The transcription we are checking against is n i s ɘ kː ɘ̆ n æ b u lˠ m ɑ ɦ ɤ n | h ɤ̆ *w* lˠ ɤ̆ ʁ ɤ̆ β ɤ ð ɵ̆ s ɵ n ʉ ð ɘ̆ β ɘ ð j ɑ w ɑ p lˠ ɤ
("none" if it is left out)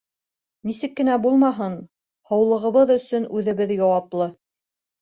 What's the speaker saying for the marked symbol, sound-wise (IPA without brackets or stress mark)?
w